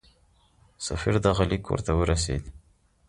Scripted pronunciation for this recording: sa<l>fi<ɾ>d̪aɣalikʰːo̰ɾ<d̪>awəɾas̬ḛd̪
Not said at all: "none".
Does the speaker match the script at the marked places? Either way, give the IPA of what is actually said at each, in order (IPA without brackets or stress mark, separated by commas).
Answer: none, ɾ, t̪